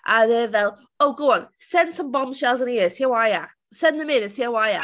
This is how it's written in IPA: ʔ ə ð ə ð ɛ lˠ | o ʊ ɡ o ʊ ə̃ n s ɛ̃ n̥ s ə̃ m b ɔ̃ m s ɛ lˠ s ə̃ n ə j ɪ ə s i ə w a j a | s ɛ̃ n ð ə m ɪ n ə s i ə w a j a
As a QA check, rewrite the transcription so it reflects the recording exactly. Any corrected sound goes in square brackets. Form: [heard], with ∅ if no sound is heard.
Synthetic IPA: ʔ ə ð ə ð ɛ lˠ | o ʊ ɡ o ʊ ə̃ n s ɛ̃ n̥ s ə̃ m b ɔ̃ m [ʃ] ɛ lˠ [z] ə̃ n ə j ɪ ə s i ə w a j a | s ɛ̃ n ð ə m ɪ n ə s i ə w a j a